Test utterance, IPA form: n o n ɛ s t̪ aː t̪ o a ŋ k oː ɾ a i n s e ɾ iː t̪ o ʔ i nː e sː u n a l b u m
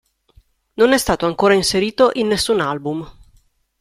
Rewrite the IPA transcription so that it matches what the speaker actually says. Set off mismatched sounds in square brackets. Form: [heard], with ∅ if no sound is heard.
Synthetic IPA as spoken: n o n ɛ s t̪ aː t̪ o a ŋ k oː ɾ a i n s e ɾ iː t̪ o ʔ i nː e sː u n a l b u m

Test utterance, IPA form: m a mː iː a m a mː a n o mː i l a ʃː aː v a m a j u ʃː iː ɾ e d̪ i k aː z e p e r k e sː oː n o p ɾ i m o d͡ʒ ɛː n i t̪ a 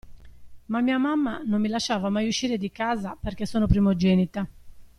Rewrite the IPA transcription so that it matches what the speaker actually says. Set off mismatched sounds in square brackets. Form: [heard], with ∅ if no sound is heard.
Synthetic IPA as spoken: m a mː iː a m a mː a n o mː i l a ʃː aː v a m a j u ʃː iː ɾ e d̪ i k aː z [a] p e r k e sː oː n o p ɾ i m o d͡ʒ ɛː n i t̪ a

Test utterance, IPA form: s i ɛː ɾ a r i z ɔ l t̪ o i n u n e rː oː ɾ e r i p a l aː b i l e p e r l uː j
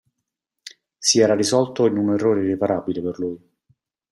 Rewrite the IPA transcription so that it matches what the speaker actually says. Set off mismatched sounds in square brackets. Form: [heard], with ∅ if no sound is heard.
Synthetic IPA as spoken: s i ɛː ɾ a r i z ɔ l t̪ o i n u n e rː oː ɾ e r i p a [ɾ] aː b i l e p e r l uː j

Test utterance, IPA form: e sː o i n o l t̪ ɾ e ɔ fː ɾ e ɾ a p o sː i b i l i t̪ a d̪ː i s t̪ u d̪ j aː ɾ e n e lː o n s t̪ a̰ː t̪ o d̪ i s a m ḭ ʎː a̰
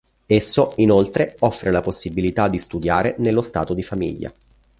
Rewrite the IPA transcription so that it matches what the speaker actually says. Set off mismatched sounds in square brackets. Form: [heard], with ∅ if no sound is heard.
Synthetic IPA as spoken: e sː o i n o l t̪ ɾ e ɔ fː ɾ e [l] a p o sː i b i l i t̪ a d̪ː i s t̪ u d̪ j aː ɾ e n e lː o [∅] s t̪ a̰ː t̪ o d̪ i [f] a m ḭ ʎː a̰

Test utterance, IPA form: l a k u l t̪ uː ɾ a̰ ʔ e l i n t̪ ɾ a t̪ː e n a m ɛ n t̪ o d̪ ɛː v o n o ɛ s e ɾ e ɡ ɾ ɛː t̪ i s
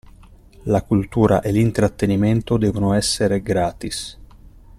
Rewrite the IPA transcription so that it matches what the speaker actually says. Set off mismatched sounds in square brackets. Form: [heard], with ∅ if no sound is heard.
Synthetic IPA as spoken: l a k u l t̪ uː ɾ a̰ ʔ e l i n t̪ ɾ a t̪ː e n [i] m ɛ n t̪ o d̪ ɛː v o n o ɛ [sː] e ɾ e ɡ ɾ [aː] t̪ i s

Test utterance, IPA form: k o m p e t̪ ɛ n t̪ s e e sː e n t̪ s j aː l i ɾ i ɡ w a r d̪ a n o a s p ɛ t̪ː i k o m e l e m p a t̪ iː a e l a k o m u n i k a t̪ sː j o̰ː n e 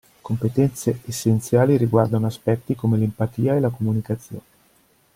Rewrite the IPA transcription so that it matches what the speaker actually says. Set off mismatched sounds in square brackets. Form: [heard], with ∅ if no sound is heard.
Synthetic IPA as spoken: k o m p e t̪ ɛ n t̪ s e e sː e n t̪ s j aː l i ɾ i ɡ w a r d̪ a n o a s p ɛ t̪ː i k o m e l e m p a t̪ iː a e l a k o m u n i k a t̪ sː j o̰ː n e

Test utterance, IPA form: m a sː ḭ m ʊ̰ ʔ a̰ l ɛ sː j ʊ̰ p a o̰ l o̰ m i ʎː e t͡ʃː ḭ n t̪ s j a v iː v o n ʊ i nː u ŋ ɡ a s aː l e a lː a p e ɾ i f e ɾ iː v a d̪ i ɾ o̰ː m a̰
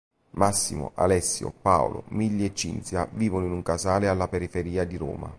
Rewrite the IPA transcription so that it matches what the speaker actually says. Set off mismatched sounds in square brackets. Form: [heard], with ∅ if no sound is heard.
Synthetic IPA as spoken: m a sː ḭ m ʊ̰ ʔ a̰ l ɛ sː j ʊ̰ p a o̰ l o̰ m i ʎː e t͡ʃː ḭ n t̪ s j a v iː v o n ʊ i [n] u ŋ [k] a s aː l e a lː a p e ɾ i f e ɾ iː [∅] a d̪ i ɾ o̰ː m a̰

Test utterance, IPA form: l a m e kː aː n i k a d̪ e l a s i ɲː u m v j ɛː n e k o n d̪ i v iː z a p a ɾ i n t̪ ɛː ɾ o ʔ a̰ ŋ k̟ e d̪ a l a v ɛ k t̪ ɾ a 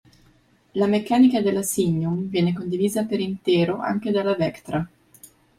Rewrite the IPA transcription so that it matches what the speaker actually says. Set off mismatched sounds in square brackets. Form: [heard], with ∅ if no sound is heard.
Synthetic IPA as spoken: l a m e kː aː n i k a d̪ e l a s i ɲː u m v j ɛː n e k o n d̪ i v iː z a p [e] ɾ i n t̪ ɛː ɾ o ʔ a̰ ŋ k̟ e d̪ a l a v ɛ k t̪ ɾ a

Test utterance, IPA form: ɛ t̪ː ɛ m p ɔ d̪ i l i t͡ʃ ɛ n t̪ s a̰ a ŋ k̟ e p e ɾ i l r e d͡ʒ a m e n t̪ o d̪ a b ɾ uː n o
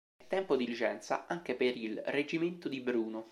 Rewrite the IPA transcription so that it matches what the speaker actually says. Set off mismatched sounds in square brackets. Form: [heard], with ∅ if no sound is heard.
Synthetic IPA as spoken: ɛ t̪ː ɛ m p [o] d̪ i l i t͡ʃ ɛ n t̪ s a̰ a ŋ k̟ e p e ɾ i l r e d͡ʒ [i] m e n t̪ o d̪ [i] b ɾ uː n o

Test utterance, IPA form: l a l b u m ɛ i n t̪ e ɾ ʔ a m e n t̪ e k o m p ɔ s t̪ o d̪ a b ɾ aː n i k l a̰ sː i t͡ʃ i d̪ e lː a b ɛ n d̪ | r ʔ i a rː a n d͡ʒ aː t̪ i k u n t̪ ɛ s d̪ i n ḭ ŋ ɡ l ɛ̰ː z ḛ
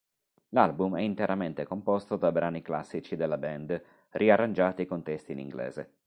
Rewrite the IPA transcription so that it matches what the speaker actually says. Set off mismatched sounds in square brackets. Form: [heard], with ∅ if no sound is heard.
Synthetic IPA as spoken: l a l b u m ɛ i n t̪ e ɾ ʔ a m e n t̪ e k o m p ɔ s t̪ o d̪ a b ɾ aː n i k l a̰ sː i t͡ʃ i d̪ e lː a b ɛ n d̪ | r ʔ i a rː a n d͡ʒ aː t̪ i k [o] n t̪ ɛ s [t̪] i n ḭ ŋ ɡ l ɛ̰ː z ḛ

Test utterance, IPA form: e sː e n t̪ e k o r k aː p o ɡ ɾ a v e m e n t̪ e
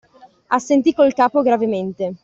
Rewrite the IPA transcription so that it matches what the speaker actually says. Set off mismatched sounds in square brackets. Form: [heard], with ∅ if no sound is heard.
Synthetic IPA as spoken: [a] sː e n t̪ [i] k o [l] k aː p o ɡ ɾ a v e m e n t̪ e

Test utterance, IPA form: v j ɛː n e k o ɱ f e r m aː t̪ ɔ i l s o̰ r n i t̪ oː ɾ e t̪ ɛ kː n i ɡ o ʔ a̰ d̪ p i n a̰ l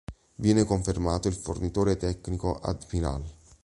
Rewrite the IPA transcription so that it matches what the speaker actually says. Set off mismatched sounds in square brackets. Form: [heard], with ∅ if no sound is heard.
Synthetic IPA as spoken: v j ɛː n e k o ɱ f e r m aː t̪ [o] i l [f] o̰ r n i t̪ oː ɾ e t̪ ɛ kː n i [k] o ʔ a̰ d̪ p i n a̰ l

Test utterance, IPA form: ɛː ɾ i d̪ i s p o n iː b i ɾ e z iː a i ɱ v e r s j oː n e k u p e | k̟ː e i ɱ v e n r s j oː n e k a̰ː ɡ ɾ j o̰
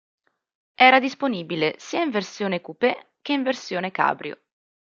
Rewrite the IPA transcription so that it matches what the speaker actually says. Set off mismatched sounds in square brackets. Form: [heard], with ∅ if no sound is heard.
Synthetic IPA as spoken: ɛː ɾ [a] d̪ i s p o n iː b i [l] e [s] iː a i ɱ v e r s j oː n e k u p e | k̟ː e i ɱ v e [∅] r s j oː n e k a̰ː [b] ɾ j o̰

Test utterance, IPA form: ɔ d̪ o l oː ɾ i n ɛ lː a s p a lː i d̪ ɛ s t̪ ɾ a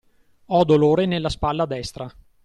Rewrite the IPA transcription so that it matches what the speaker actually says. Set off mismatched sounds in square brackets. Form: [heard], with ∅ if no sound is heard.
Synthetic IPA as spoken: ɔ d̪ o l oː ɾ [e] n [e] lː a s p a lː [a] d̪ ɛ s t̪ ɾ a

